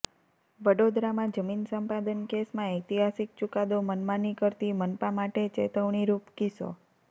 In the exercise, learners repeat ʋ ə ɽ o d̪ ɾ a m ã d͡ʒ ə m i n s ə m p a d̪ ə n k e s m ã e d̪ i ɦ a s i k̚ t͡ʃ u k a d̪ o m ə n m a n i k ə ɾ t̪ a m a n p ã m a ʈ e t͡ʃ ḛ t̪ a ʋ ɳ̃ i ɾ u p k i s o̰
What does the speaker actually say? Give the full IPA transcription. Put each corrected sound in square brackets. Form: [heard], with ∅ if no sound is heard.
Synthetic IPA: ʋ ə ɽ o d̪ ɾ a m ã d͡ʒ ə m i n s ə m p a d̪ ə n k e s m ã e [t̪] i ɦ a s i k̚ t͡ʃ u k a d̪ o m ə n m a n i k ə ɾ t̪ [i] m [ə] n p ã m a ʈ e t͡ʃ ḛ t̪ [ə] ʋ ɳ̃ i ɾ u p k i s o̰

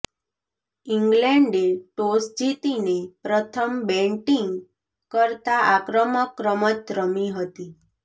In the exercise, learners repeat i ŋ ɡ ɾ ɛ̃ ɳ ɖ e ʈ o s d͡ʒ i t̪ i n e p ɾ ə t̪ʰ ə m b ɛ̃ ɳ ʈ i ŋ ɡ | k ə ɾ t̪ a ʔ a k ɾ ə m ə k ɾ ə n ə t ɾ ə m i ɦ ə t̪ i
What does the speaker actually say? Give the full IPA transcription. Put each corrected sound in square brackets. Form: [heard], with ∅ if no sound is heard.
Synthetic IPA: i ŋ ɡ [l] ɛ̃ ɳ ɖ e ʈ o s d͡ʒ i t̪ i n e p ɾ ə t̪ʰ ə m b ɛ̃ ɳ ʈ i ŋ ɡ | k ə ɾ t̪ a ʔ a k ɾ ə m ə k ɾ ə [m] ə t ɾ ə m i ɦ ə t̪ i

